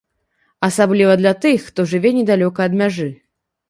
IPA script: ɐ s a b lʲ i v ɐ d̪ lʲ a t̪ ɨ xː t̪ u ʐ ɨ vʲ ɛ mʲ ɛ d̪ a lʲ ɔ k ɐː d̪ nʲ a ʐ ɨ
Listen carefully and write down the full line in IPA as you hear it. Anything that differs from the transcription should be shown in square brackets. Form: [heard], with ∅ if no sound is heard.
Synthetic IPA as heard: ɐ s a b lʲ i v ɐ d̪ lʲ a t̪ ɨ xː t̪ [ɔ] ʐ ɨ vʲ ɛ [nʲ] ɛ d̪ a lʲ ɔ k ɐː d̪ [mʲ] a ʐ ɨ